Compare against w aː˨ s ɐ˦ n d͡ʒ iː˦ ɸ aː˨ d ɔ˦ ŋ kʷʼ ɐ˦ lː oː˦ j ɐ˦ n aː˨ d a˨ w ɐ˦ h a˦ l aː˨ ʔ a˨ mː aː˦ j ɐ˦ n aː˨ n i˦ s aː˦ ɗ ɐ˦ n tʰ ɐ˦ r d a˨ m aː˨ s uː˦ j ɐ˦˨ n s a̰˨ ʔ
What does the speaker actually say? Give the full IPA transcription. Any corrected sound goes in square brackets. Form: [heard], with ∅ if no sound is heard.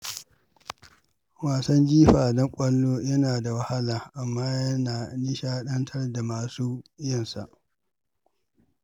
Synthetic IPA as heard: w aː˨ s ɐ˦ n d͡ʒ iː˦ ɸ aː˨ d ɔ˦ ŋ kʷʼ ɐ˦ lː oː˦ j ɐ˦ n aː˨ d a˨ w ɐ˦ h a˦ l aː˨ ʔ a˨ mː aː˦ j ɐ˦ n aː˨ n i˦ [ʃ] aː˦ ɗ ɐ˦ n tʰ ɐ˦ r d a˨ m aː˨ s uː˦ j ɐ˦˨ n s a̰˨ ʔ